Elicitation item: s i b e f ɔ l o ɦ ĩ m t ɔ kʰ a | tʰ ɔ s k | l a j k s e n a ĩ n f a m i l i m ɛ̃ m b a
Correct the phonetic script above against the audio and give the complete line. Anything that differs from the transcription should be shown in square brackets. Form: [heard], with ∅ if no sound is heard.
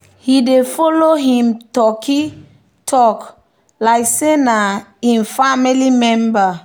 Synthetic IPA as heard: [h] i [d] e f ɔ l o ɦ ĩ m t ɔ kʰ [i] | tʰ ɔ [∅] k | l a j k s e n a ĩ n f a m i l i m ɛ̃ m b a